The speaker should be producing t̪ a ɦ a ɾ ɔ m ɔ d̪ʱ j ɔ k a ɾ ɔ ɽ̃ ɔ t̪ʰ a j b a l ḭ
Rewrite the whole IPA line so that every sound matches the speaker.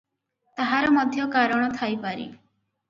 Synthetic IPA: t̪ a ɦ a ɾ ɔ m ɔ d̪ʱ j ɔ k a ɾ ɔ ɽ̃ ɔ t̪ʰ a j p a ɾ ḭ